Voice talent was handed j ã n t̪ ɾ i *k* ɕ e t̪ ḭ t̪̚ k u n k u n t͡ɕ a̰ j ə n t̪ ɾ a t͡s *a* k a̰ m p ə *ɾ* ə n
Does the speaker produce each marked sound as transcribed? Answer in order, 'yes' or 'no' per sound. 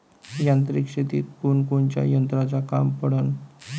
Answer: yes, yes, no

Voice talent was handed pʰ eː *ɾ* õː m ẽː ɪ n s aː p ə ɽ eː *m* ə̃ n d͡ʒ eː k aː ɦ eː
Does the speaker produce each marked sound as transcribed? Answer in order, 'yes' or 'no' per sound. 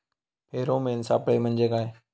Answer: yes, yes

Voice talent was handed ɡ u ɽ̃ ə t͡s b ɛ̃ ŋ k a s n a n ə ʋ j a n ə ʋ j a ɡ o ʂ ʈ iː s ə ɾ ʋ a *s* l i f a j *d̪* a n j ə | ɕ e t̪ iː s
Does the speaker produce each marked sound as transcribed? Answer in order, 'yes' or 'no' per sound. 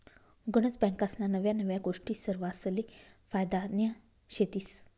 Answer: yes, yes

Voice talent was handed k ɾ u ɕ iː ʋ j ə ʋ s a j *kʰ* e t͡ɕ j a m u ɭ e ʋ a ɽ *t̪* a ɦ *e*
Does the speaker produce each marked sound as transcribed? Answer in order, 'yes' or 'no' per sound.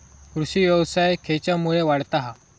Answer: yes, yes, no

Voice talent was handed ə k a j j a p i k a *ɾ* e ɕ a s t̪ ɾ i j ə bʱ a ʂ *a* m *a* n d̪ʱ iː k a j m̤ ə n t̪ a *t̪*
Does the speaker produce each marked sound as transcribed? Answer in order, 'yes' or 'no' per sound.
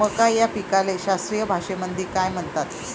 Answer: no, no, no, yes

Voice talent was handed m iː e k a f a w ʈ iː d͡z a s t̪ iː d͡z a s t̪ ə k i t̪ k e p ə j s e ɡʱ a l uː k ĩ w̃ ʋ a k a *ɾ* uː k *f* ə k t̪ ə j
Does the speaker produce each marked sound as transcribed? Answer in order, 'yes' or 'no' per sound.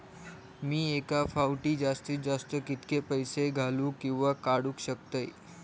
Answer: no, no

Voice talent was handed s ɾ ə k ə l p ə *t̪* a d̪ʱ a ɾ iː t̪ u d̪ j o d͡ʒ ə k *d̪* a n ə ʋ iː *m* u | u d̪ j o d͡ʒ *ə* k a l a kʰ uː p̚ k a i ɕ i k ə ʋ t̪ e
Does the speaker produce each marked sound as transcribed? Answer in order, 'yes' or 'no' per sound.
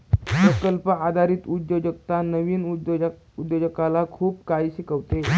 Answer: no, no, no, yes

